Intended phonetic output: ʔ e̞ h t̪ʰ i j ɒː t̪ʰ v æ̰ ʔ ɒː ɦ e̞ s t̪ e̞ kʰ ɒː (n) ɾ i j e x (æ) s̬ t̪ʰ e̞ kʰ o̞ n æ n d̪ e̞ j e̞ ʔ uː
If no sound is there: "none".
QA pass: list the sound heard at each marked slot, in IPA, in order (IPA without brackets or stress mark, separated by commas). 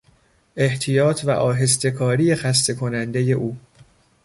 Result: none, æ